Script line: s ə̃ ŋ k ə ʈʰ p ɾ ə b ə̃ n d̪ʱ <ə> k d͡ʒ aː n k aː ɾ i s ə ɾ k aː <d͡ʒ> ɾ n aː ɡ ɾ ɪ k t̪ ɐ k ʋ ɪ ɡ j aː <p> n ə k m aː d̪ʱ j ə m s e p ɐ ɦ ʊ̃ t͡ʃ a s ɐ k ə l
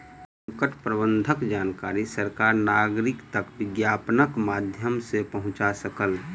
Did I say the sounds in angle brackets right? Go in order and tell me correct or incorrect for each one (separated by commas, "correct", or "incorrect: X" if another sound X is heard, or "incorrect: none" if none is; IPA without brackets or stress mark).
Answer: correct, incorrect: none, correct